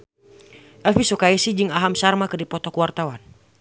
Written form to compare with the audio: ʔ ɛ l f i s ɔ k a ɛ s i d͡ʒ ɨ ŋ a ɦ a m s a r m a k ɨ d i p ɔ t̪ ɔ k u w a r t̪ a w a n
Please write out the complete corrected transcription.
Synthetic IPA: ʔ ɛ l f i s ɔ k a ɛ s i d͡ʒ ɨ ŋ a ɦ a m s a r m a k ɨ d i p ɔ t̪ ɔ k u w a r t̪ a w a n